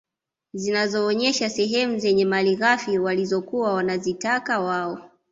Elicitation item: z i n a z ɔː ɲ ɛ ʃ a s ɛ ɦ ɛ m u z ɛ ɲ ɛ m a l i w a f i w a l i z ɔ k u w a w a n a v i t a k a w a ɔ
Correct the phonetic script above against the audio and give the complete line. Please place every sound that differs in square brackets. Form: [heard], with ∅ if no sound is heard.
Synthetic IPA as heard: z i n a z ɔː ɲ ɛ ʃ a s ɛ ɦ ɛ m u z ɛ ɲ ɛ m a l i [ɣ] a f i w a l i z ɔ k u w a w a n a [z] i t a k a w a ɔ